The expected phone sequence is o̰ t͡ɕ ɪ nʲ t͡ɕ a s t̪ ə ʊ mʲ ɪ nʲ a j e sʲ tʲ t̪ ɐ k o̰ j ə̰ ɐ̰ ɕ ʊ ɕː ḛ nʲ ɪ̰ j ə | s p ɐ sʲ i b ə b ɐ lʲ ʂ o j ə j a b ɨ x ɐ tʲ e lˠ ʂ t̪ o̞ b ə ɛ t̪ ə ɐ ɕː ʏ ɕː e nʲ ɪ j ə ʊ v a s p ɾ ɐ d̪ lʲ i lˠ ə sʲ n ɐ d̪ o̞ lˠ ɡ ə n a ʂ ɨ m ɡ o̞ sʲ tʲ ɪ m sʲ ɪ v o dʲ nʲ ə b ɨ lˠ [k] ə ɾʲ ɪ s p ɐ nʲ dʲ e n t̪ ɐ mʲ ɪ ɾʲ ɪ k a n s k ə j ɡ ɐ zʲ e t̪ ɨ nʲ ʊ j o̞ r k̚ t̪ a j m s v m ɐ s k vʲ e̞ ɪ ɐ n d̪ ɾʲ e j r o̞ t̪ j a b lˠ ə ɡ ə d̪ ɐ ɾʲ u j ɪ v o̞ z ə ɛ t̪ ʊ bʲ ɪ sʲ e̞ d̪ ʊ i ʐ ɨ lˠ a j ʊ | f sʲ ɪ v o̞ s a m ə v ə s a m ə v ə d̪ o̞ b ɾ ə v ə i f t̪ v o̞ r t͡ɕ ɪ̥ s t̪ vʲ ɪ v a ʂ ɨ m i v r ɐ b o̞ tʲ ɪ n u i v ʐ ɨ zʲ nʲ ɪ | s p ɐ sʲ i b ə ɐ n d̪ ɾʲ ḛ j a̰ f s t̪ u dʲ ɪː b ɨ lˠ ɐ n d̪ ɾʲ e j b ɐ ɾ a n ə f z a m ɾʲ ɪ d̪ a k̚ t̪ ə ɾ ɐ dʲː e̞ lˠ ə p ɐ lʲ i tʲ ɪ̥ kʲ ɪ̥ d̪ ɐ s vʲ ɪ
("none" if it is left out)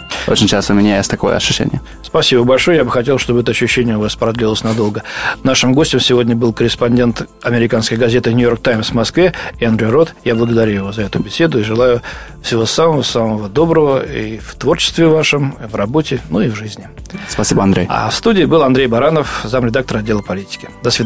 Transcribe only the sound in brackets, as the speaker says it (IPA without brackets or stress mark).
k